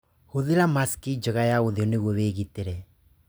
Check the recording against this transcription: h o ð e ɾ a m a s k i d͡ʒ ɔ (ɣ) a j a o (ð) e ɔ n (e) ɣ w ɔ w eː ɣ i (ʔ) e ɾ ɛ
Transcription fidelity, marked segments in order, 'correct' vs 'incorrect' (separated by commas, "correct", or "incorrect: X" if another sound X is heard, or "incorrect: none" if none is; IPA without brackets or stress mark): correct, correct, correct, incorrect: t